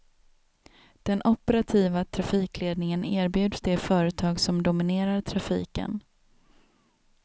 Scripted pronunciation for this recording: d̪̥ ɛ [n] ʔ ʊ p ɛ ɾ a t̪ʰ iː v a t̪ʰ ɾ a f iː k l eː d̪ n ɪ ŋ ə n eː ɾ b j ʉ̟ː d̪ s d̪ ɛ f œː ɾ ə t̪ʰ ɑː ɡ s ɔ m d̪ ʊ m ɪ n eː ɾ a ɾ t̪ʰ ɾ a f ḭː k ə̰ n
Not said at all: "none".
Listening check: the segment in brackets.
n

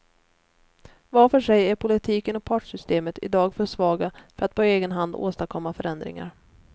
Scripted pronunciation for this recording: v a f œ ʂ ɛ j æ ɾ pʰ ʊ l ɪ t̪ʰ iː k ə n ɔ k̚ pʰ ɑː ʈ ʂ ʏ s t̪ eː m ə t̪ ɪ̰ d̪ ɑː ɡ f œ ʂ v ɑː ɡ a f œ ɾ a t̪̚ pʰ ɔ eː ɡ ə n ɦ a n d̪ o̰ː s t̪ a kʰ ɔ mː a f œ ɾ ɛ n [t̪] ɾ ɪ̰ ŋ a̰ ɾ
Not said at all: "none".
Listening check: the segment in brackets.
d̪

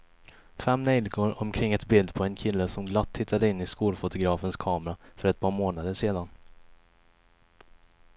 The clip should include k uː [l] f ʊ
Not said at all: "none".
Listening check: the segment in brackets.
l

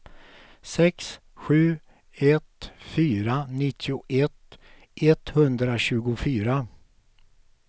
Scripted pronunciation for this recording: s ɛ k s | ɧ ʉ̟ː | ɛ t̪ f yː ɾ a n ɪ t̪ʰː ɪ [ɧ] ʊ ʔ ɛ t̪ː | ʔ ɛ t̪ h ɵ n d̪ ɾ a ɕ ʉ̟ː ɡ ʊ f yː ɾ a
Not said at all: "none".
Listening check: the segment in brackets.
none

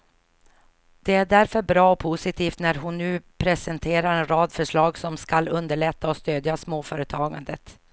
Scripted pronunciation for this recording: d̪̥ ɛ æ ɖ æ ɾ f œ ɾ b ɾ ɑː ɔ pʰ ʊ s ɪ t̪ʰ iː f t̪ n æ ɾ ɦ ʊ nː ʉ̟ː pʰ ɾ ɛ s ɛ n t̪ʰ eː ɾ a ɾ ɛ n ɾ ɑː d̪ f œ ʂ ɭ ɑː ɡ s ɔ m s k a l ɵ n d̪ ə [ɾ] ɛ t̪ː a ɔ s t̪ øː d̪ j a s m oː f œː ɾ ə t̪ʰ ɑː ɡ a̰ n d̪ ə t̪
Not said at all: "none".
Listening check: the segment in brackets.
ɭ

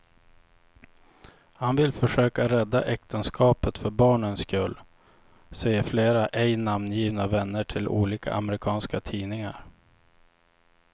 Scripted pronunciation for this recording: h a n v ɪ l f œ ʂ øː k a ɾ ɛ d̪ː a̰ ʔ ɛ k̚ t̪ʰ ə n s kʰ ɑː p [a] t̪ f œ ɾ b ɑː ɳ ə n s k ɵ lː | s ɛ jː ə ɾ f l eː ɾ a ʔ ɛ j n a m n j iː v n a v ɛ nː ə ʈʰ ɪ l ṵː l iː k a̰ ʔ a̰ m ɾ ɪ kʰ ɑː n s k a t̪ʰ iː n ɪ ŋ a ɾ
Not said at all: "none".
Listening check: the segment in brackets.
ə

